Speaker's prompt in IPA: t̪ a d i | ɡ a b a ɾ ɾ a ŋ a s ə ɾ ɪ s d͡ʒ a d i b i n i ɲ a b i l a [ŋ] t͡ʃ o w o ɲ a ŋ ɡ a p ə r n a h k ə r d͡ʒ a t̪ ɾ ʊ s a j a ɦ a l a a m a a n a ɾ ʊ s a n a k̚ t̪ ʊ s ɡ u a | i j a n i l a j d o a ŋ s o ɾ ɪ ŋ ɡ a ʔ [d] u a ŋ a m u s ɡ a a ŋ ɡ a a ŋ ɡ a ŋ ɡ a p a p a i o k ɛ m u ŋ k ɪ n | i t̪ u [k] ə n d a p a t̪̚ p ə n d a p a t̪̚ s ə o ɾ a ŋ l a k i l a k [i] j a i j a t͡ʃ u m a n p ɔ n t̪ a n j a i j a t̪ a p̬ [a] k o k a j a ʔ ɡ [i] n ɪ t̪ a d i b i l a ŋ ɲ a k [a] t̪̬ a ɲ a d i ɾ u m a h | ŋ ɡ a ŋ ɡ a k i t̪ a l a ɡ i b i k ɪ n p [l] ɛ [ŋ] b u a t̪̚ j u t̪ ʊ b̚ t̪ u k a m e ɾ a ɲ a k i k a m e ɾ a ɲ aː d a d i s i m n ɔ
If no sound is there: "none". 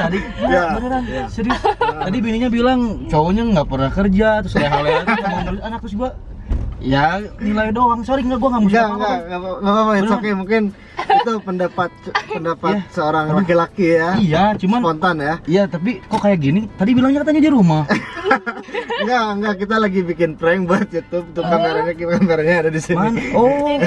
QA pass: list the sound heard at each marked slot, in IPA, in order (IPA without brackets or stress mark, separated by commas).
ŋ, ɡ, p, i, i, i, a, ɾ, ŋ